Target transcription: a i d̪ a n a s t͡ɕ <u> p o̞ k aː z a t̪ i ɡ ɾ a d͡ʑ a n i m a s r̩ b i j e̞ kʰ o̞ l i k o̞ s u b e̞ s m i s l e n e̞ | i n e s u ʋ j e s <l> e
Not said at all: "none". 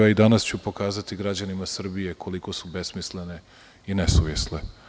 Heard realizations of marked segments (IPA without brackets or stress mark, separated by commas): u, l